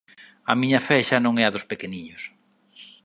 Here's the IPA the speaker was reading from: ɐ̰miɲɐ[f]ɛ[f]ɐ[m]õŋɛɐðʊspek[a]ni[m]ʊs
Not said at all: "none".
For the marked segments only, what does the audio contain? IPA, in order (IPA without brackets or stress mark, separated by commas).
f, ʃ, n, e, ɲ